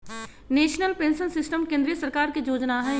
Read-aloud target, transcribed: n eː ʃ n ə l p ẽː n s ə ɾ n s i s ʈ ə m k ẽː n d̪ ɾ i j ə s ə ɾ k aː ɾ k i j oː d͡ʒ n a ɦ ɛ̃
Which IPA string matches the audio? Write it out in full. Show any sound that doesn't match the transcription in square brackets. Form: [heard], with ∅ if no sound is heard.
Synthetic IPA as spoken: n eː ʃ n ə l p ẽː n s ə [∅] n s [ɪ] s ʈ ə m k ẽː n d̪ ɾ i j ə s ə ɾ k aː ɾ k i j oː d͡ʒ n a ɦ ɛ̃

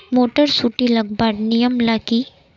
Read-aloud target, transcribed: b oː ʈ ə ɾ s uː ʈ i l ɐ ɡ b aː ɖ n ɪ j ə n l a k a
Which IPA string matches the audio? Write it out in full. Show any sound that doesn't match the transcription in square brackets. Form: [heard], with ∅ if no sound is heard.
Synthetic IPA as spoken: [m] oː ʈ ə ɾ s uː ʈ i l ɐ ɡ b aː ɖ n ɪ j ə [m] l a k [i]

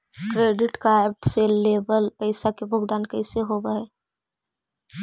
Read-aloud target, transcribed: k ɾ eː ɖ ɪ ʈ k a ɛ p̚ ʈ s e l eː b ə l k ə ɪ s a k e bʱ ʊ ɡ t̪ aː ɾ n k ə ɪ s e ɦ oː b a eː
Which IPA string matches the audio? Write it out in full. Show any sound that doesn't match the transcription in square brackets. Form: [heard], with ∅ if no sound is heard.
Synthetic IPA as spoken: k ɾ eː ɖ ɪ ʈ k a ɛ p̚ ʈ s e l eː b ə l [p] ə ɪ s a k e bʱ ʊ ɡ [d̪] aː [∅] n k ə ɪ s e ɦ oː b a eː

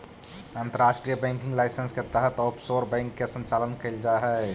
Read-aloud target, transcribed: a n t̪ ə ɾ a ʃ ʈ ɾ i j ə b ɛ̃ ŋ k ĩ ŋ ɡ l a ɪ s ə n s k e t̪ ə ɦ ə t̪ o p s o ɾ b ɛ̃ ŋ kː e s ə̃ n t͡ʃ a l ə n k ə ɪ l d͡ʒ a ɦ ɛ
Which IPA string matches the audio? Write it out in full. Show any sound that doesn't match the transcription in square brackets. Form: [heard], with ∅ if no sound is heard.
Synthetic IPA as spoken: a n t̪ ə ɾ a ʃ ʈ ɾ i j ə b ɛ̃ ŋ k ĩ ŋ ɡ l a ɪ s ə n s k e t̪ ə ɦ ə t̪ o p s o ɾ b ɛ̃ ŋ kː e s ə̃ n t͡ʃ a l ə n k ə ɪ l d͡ʒ a ɦ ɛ

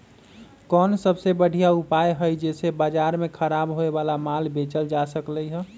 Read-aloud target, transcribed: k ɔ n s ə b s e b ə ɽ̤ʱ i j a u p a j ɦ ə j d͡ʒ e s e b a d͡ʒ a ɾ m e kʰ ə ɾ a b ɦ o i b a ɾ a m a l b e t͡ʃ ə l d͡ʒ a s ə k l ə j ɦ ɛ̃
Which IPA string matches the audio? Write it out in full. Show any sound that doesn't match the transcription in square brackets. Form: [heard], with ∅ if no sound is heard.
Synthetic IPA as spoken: k ɔ n s ə b s e b ə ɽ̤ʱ i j a u p a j ɦ ə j d͡ʒ e s e b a d͡ʒ a ɾ m e kʰ ə ɾ a b ɦ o [e] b a [l] a m a l b e t͡ʃ ə l d͡ʒ a s ə k l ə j ɦ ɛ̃

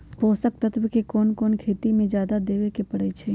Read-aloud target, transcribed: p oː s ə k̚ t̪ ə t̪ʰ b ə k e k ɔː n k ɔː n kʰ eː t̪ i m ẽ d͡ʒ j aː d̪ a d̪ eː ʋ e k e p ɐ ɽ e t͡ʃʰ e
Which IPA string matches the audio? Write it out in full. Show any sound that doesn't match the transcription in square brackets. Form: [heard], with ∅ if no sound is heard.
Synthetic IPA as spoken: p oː s ə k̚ t̪ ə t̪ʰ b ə k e k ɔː n k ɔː n kʰ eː t̪ i m ẽ d͡ʒ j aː d̪ a d̪ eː ʋ e k e p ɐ ɽ e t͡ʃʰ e

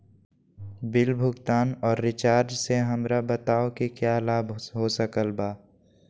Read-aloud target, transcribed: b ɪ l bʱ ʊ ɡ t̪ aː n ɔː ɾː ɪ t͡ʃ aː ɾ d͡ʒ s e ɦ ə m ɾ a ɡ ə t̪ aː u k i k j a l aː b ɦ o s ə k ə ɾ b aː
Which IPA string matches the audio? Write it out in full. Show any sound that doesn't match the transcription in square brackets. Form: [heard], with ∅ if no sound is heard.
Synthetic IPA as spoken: b ɪ l bʱ ʊ ɡ t̪ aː n ɔː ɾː ɪ t͡ʃ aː ɾ d͡ʒ s e ɦ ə m ɾ a [b] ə t̪ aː [o] k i k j a l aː b ɦ o s ə k ə [l] b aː

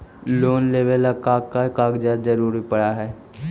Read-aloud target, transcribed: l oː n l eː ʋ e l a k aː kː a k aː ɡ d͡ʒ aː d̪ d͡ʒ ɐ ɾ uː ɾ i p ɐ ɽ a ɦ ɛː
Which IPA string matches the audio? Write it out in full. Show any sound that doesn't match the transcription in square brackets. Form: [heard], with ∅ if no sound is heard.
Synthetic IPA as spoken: l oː n l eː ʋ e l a k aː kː a k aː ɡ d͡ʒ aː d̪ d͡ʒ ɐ ɾ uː ɾ i p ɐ ɽ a ɦ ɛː

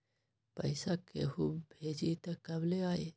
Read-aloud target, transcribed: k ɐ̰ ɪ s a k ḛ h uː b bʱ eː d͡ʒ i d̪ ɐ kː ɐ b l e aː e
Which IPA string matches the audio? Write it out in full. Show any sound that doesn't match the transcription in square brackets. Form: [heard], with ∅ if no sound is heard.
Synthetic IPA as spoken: [p] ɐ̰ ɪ s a k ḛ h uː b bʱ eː d͡ʒ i [t̪] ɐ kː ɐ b l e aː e

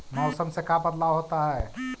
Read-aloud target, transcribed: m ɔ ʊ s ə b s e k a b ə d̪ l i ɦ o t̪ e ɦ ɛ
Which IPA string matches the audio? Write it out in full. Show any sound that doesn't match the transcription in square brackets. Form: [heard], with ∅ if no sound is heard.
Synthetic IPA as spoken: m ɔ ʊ s ə [m] s e k a b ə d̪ l [a] ɦ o t̪ [a] ɦ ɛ

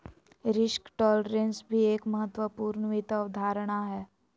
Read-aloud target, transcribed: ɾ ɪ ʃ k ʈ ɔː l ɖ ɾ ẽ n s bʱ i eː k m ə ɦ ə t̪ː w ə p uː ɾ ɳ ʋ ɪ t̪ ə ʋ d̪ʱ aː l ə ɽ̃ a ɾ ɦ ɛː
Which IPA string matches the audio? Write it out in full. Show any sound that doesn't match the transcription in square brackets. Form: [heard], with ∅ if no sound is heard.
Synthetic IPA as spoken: ɾ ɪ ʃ k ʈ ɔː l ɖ ɾ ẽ n s bʱ i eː k m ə ɦ ə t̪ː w ə p uː ɾ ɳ ʋ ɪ t̪ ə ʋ d̪ʱ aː [ɾ] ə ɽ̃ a [∅] ɦ ɛː

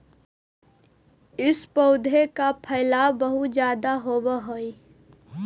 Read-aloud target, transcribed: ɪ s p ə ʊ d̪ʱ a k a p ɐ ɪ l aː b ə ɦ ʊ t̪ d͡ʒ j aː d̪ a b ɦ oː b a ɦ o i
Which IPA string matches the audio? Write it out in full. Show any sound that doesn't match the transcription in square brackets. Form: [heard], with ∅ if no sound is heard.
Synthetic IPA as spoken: ɪ s p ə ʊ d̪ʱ [e] k a [pʰ] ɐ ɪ l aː b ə ɦ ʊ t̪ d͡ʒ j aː d̪ a [∅] ɦ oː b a ɦ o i

